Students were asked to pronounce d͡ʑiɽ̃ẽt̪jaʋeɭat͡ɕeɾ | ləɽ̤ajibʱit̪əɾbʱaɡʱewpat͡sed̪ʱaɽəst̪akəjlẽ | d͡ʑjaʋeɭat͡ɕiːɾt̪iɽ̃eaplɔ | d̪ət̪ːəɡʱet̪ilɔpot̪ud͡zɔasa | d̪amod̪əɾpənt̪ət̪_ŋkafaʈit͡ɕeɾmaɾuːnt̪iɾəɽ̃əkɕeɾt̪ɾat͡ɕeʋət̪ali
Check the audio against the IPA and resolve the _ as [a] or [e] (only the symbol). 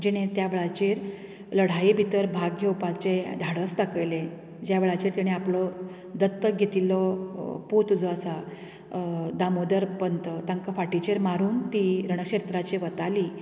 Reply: a